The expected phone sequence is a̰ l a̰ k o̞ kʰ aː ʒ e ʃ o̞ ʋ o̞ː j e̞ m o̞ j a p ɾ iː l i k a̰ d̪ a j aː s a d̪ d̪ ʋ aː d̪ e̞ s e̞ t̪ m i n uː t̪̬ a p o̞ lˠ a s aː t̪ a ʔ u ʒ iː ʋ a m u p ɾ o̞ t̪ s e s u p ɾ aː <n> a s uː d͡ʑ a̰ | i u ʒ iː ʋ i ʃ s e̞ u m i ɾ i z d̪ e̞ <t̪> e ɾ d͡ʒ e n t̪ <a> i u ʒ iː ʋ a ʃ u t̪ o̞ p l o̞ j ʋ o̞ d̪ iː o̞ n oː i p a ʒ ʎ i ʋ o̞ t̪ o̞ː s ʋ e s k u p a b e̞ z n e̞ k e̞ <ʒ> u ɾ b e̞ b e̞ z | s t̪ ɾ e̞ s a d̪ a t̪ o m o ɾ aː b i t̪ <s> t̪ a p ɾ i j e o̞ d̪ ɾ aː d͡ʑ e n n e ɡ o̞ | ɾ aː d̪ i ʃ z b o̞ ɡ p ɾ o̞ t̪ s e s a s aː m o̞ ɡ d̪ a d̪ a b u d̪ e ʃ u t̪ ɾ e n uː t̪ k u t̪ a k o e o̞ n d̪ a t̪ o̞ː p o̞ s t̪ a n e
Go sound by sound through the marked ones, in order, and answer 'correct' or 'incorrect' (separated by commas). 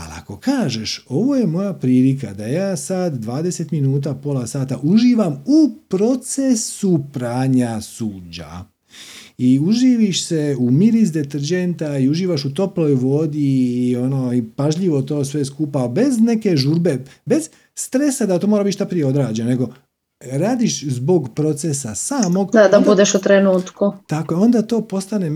incorrect, correct, correct, correct, incorrect